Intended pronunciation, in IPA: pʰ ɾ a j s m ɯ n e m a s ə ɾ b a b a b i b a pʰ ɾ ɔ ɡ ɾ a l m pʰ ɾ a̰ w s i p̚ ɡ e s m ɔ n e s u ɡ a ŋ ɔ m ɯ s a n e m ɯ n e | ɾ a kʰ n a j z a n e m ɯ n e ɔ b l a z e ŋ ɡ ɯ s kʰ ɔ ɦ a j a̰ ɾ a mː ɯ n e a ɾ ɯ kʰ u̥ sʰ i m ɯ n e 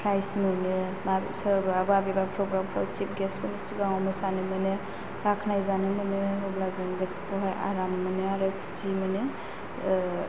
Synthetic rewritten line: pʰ ɾ a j s m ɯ n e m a s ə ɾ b a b a b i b a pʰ ɾ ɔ ɡ ɾ a m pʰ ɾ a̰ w s i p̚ ɡ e s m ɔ n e s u ɡ a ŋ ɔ m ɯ s a n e m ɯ n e | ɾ a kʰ n a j z a n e m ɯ n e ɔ b l a z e ŋ ɡ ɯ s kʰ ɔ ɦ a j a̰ ɾ a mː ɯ n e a ɾ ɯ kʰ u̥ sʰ i m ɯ n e